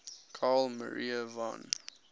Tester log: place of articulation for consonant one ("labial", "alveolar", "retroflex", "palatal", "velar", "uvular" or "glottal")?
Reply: velar